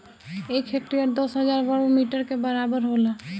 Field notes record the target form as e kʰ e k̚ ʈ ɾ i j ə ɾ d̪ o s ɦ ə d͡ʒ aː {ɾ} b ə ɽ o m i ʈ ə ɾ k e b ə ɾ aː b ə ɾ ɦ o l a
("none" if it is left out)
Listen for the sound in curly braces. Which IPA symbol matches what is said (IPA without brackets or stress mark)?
ɾ